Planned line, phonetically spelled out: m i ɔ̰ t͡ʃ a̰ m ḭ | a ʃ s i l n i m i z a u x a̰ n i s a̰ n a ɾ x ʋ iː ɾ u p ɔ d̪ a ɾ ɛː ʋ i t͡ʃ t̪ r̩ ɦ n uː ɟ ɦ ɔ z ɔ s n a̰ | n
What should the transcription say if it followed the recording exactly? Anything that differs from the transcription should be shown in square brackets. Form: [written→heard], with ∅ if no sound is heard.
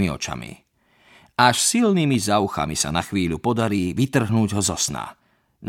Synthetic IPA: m i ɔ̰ t͡ʃ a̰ m ḭ | a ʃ s i l n i m i z a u x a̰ [n→m] i s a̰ n a [ɾ→∅] x ʋ iː [ɾ→ʎ] u p ɔ d̪ a ɾ [ɛː→iː] ʋ i [t͡ʃ→∅] t̪ r̩ ɦ n uː ɟ ɦ ɔ z ɔ s n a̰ | n